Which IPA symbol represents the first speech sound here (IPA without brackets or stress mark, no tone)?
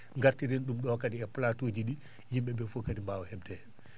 ŋ